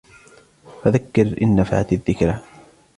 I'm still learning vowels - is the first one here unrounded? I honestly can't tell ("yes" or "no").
yes